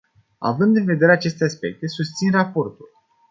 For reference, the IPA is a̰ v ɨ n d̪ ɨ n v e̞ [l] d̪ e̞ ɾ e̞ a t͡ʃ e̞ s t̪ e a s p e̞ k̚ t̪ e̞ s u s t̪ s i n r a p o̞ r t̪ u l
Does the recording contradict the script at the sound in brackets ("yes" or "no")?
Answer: yes